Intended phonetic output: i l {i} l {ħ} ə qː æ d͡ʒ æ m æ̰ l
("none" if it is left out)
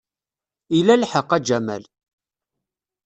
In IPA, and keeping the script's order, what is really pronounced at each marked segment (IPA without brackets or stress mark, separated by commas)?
æ, ħ